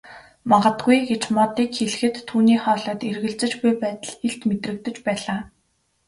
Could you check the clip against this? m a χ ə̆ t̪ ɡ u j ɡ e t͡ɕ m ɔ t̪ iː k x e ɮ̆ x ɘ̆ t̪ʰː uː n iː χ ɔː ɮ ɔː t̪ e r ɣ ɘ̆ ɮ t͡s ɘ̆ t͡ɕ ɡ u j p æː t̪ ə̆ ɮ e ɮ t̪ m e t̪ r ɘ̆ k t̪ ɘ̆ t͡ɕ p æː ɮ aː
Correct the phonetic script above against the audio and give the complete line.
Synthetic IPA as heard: m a ʁ ə̆ t̪ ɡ u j ɡ e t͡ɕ m ɔ t̪ iː k x e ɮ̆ x ɘ̆ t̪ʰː uː n iː χ ɔː ɮ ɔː t̪ e r ɣ ɘ̆ ɮ t͡s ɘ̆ t͡ɕ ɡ u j p æː t̪ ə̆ ɮ e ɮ t̪ m e t̪ r ɘ̆ k t̪ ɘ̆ t͡ɕ p æː ɮ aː